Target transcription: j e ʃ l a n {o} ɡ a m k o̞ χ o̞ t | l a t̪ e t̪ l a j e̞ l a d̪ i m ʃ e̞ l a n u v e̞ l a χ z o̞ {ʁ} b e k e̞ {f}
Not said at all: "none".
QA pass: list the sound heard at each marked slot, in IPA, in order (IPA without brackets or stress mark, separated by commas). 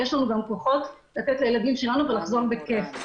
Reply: u, ʁ, f